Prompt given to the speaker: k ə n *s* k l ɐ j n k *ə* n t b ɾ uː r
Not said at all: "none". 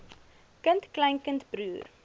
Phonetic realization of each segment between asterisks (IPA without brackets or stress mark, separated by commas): t, ə